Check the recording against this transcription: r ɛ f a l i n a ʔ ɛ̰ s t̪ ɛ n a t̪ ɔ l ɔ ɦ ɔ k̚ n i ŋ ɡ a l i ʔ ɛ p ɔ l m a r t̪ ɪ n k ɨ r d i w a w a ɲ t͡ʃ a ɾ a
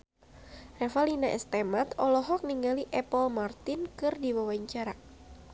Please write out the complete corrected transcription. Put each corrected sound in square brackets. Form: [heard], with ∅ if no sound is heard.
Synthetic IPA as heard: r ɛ f a l i n a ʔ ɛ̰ s t̪ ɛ [m] a t̪ ɔ l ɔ ɦ ɔ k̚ n i ŋ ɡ a l i ʔ ɛ p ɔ l m a r t̪ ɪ n k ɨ r d i w a w a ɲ t͡ʃ a ɾ a